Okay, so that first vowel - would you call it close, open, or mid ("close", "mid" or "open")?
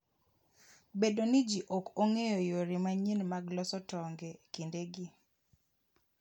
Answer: mid